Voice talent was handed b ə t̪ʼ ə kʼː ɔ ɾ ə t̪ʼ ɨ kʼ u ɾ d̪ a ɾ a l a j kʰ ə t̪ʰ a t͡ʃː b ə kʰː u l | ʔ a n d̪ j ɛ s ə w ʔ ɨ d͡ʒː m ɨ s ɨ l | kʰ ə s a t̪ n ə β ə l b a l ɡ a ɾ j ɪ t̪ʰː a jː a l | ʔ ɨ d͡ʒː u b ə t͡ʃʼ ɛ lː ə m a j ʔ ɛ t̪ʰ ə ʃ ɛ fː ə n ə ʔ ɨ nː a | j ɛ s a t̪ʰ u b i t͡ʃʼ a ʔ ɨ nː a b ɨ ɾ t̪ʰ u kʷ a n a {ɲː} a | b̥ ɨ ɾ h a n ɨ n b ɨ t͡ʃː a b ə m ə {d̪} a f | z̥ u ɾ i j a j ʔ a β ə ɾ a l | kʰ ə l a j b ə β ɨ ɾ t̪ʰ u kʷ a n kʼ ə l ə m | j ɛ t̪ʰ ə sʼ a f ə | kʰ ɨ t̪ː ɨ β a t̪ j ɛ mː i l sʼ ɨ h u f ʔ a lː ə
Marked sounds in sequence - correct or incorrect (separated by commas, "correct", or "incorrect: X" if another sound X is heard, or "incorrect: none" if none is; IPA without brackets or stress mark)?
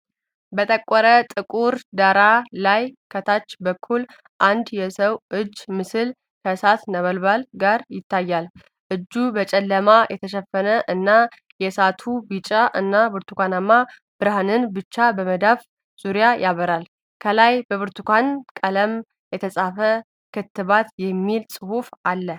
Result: incorrect: mː, correct